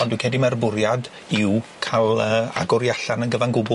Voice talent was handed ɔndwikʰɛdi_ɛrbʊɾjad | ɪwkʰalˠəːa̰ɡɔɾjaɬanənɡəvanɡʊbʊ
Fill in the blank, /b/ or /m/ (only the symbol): m